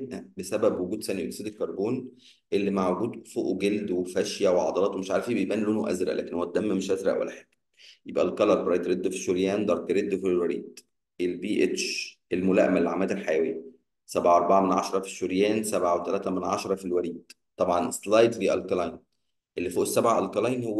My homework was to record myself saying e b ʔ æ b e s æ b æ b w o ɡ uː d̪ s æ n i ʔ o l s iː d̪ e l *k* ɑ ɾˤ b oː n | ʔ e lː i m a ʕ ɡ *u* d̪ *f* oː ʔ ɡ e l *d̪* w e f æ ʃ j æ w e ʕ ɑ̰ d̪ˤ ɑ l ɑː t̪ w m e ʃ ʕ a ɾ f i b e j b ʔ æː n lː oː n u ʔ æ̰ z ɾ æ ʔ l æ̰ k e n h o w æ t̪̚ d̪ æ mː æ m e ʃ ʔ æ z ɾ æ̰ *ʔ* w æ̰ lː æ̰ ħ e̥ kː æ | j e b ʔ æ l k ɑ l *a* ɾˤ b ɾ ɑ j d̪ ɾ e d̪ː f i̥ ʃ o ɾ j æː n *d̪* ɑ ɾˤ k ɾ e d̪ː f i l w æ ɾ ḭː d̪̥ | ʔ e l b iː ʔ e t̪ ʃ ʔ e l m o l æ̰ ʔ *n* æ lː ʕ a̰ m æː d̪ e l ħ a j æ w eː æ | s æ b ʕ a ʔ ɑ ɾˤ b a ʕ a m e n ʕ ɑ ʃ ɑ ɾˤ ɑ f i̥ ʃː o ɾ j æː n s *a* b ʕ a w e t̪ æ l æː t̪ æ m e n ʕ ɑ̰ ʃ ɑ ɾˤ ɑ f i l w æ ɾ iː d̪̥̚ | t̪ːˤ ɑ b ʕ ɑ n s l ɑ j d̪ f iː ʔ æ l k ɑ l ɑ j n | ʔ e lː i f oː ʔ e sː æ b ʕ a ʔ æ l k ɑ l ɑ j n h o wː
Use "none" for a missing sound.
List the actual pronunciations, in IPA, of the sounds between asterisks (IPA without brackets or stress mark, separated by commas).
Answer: k, uː, f, d̪, ʔ, ɑ, d̪, m, æ